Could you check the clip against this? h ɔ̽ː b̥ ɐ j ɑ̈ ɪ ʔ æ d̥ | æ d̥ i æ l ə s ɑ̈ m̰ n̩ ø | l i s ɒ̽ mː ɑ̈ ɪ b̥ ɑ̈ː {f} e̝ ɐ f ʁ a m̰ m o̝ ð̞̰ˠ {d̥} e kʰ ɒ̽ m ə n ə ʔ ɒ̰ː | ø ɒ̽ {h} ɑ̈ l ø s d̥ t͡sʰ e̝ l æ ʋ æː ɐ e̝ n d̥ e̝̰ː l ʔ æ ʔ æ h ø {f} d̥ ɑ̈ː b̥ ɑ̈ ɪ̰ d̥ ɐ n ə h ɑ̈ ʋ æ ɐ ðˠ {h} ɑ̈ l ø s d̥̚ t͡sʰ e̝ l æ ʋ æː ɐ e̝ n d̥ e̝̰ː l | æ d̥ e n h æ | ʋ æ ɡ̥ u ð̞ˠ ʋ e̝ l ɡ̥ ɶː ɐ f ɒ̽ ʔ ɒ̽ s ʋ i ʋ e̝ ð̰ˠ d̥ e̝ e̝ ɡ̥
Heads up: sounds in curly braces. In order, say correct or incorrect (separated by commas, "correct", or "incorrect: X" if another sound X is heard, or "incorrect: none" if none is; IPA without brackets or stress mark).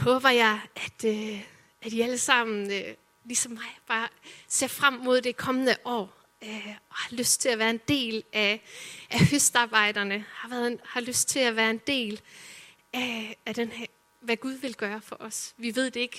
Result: incorrect: s, correct, correct, incorrect: s, correct